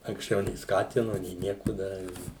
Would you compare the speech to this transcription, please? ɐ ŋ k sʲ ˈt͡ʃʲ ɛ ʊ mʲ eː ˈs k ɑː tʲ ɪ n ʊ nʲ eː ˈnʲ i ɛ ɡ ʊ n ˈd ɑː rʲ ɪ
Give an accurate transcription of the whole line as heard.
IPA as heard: ɐ ŋ k sʲ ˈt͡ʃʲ ɛ ʊ nʲ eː ˈs k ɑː tʲ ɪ n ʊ nʲ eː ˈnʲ i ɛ k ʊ ˈd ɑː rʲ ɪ